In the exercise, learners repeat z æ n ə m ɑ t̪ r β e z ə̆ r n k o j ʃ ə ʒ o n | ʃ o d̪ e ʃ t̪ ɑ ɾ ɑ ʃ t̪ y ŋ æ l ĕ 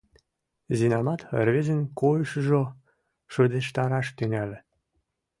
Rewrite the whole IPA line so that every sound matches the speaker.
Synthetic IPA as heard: z i n ɑ m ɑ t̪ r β e z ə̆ n k o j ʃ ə ʒ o | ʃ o d̪ e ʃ t̪ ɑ ɾ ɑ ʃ t̪ y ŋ æ l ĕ